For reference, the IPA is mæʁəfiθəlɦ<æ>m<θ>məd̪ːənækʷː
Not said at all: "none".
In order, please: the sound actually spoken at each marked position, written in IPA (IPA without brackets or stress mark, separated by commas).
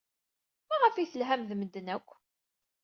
æ, ð